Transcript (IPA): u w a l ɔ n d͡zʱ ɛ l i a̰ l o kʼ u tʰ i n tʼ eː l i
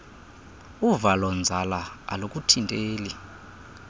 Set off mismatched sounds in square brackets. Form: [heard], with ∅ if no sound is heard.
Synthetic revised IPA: u [v] a l ɔ n d͡zʱ [a] l [a] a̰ l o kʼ u tʰ i n tʼ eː l i